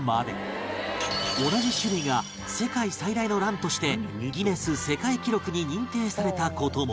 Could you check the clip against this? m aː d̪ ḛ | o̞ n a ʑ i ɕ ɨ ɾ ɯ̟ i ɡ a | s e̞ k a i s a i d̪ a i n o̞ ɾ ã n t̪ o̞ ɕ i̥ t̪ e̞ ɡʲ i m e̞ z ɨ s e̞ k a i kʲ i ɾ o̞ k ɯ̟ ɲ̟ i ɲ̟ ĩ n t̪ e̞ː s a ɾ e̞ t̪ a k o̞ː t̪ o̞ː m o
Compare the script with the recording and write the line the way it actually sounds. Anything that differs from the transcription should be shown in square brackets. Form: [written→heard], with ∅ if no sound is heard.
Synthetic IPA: m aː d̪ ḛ | o̞ n a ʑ i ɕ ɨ ɾ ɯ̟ i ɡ a | s e̞ k a i s a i d̪ a i n o̞ ɾ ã n t̪ o̞ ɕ i̥ t̪ e̞ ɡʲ i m e̞ [z→s] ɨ s e̞ k a i kʲ i ɾ o̞ k ɯ̟ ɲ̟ i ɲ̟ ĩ n t̪ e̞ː s a ɾ e̞ t̪ a k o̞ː t̪ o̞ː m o